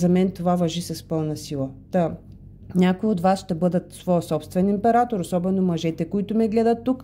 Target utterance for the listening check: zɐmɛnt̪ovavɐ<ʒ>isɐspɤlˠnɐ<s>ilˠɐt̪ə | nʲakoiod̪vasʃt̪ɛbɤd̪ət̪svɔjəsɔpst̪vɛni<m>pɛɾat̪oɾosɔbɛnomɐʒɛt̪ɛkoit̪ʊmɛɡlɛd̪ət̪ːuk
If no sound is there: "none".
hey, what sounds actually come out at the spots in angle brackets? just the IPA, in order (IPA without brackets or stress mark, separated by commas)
ʒ, s, m